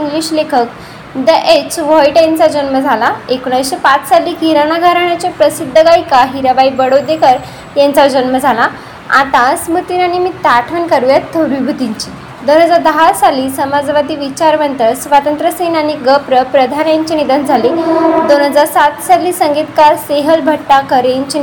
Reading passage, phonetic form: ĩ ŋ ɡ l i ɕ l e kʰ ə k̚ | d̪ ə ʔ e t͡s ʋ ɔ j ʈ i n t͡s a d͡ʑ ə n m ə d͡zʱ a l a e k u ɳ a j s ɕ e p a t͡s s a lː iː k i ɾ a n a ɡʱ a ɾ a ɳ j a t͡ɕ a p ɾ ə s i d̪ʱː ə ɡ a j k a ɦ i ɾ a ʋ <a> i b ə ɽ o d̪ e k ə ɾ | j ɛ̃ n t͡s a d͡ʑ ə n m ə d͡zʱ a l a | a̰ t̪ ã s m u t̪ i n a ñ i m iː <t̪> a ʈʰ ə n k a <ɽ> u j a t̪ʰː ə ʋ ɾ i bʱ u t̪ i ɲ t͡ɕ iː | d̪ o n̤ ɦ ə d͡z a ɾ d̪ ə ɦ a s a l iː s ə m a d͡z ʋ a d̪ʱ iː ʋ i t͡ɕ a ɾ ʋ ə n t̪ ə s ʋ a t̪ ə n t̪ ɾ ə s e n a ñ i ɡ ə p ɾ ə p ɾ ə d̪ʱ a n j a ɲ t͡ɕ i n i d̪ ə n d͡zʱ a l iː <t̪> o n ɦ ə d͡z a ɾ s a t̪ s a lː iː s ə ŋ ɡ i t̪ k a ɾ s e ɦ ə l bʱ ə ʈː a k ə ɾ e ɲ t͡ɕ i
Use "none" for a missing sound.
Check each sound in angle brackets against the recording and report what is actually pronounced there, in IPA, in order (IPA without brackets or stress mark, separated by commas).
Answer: a, t̪, ɾ, d̪